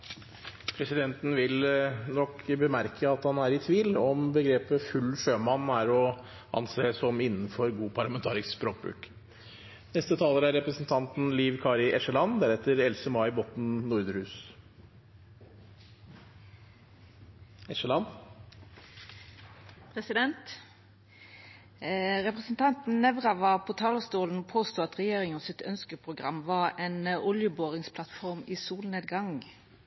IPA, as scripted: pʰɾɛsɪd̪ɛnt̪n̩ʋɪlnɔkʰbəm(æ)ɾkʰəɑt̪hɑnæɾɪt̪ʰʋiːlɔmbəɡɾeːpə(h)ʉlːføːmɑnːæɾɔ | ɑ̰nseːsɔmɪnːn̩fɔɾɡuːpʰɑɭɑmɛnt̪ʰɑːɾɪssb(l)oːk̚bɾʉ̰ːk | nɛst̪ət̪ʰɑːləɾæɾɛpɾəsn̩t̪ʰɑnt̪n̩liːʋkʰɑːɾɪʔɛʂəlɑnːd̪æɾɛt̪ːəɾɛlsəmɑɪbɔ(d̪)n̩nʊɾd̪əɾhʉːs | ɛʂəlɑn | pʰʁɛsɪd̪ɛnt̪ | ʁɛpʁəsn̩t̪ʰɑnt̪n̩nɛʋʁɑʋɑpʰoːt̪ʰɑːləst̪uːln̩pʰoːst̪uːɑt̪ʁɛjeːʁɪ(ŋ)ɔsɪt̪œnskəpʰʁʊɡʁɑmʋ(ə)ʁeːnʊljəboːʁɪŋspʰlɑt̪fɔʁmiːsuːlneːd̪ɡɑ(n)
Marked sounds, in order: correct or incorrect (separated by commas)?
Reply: correct, incorrect, incorrect, incorrect, correct, incorrect, incorrect